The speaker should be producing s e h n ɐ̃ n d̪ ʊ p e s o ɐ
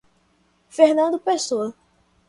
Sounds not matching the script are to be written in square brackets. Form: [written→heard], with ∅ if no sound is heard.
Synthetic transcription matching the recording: [s→f] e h n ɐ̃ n d̪ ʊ p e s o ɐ